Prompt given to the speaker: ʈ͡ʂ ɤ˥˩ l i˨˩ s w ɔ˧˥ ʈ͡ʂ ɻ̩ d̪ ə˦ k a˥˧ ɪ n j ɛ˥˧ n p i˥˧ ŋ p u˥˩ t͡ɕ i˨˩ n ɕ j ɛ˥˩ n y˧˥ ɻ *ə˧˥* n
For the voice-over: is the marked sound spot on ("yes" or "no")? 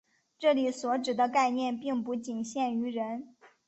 yes